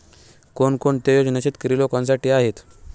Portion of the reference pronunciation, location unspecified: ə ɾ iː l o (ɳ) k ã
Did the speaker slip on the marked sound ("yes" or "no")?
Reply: yes